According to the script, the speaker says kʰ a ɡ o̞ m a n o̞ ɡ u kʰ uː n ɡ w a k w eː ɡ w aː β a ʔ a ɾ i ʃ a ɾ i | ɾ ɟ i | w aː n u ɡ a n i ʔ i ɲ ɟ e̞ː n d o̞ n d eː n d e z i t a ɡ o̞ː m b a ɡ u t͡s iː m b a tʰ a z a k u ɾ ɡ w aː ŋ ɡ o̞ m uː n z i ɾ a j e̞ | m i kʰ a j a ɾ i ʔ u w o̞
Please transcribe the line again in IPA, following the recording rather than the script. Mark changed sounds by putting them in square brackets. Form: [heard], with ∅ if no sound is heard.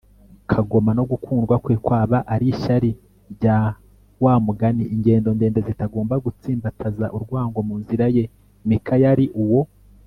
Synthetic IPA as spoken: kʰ a ɡ o̞ m a n o̞ ɡ u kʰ uː n ɡ w a k w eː [k] w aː β a ʔ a ɾ i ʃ a ɾ i | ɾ ɟ [a] | w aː [m] u ɡ a n i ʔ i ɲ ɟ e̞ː n d o̞ n d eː n d e z i t a ɡ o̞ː m b a ɡ u t͡s iː m b a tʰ a z a [ʔ] u ɾ ɡ w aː ŋ ɡ o̞ m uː n z i ɾ a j e̞ | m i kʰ a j a ɾ i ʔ u w o̞